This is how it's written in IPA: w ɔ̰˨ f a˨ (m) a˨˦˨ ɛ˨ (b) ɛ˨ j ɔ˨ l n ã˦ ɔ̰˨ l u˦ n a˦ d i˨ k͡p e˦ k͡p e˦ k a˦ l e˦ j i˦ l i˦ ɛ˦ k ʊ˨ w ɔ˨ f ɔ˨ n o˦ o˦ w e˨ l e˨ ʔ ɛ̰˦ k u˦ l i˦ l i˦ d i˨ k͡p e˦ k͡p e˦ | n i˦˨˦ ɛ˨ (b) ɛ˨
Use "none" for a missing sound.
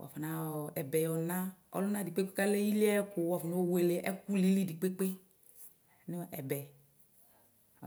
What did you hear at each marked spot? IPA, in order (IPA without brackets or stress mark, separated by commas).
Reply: n, b, b